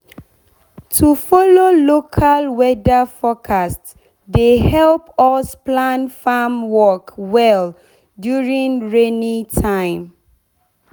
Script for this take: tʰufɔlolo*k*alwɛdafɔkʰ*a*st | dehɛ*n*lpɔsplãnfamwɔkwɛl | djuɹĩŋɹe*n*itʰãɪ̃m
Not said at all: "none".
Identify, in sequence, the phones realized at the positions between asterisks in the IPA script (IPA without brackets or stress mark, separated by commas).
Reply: kʰ, a, none, n